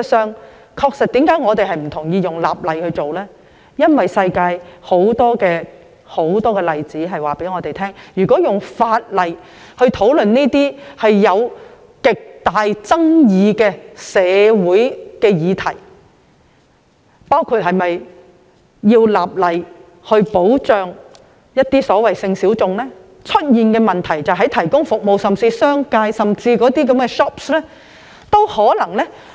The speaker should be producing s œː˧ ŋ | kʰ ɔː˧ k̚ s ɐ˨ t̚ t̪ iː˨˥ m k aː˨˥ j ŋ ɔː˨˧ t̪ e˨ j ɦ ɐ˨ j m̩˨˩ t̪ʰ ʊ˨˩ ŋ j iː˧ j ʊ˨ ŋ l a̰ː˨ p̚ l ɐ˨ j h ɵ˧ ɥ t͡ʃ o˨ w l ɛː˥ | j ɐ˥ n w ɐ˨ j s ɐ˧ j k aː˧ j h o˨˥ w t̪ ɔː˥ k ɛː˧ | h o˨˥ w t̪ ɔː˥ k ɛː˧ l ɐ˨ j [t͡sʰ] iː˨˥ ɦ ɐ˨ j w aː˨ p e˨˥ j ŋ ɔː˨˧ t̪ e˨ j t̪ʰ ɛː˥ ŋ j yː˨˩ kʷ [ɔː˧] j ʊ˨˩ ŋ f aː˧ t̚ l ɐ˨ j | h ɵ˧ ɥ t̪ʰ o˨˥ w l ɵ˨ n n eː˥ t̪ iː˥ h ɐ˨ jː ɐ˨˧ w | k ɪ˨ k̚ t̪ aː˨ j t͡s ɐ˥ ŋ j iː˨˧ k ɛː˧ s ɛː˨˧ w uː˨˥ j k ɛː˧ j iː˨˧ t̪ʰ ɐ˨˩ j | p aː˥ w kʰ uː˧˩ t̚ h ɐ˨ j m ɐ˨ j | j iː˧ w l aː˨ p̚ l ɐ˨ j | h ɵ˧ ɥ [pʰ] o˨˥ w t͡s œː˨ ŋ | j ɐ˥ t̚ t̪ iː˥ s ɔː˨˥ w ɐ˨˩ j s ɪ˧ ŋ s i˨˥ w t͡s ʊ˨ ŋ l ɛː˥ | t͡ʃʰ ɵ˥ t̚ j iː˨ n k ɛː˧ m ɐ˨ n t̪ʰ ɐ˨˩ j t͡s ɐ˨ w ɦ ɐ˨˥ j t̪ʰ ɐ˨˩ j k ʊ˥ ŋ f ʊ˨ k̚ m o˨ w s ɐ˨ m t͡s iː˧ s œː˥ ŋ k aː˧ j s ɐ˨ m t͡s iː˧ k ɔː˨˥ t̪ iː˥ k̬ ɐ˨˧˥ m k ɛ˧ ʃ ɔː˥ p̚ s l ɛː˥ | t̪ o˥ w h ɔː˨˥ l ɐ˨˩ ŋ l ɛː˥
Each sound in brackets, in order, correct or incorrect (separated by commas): incorrect, incorrect, incorrect